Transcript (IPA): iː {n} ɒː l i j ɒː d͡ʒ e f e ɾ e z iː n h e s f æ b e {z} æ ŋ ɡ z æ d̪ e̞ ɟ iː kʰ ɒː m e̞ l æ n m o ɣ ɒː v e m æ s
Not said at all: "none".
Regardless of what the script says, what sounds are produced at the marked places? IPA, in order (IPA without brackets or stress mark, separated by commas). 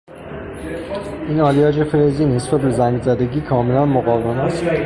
n, z